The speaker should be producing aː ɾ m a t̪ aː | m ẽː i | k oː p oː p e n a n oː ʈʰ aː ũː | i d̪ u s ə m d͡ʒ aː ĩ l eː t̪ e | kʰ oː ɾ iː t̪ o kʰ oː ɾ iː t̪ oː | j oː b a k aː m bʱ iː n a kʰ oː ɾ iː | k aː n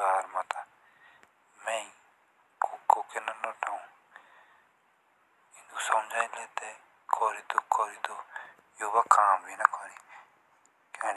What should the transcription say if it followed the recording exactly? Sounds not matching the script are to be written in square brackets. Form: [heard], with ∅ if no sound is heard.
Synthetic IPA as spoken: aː ɾ m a t̪ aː | m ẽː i | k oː [k] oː [k] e n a n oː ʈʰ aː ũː | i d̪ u s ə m d͡ʒ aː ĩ l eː t̪ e | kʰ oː ɾ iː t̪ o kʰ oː ɾ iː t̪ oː | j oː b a k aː m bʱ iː n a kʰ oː ɾ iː | k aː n